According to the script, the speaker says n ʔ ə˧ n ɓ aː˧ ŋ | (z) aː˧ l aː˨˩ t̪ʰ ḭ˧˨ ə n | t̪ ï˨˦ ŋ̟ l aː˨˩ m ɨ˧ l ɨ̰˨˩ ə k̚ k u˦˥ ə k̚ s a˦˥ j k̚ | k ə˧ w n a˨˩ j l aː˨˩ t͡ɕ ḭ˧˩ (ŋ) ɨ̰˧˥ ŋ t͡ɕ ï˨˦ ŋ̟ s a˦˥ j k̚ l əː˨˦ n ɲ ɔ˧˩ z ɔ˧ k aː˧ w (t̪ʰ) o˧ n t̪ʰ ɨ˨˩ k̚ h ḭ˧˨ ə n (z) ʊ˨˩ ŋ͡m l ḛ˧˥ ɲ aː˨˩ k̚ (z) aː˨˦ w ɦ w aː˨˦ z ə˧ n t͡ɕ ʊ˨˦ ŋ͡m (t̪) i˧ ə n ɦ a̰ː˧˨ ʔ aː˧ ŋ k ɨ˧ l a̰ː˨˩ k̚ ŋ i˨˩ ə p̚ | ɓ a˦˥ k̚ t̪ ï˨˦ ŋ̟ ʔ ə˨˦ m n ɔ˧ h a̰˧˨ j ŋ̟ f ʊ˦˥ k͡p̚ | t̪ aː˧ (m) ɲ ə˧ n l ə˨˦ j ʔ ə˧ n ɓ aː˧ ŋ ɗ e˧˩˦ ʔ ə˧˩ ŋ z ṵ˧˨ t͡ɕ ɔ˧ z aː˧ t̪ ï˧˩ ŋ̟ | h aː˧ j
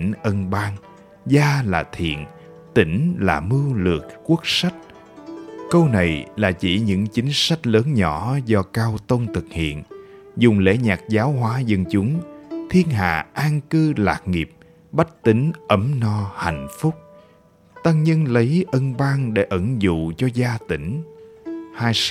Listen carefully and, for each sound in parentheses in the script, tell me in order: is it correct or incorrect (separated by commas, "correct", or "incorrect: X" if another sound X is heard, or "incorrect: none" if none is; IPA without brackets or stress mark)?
correct, incorrect: ɲ, incorrect: t̪, correct, correct, incorrect: t̪ʰ, incorrect: ŋ